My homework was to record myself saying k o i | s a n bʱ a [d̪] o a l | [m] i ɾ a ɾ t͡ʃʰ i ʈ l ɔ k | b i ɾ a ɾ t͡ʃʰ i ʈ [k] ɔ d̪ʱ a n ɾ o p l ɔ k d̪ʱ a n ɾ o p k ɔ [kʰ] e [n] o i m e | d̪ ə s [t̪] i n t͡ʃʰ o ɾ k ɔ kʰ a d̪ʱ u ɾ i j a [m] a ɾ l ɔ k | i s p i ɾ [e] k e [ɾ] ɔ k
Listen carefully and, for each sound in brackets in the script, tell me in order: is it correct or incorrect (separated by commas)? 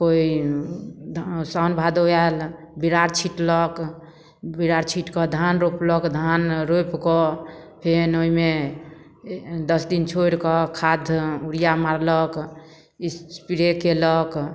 correct, incorrect, correct, incorrect, correct, incorrect, correct, correct, incorrect